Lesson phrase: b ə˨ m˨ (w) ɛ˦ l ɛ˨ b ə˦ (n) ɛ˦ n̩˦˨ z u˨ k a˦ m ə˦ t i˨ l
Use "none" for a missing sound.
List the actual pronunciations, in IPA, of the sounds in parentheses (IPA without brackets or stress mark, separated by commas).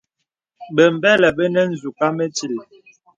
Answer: b, n